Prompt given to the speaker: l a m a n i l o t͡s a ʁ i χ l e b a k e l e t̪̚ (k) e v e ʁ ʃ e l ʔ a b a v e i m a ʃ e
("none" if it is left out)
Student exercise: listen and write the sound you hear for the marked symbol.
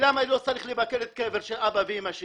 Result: k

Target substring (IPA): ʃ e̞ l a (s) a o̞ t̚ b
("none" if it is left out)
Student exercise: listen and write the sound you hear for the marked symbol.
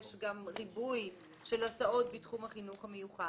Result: s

